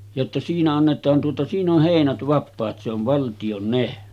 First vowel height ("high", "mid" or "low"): mid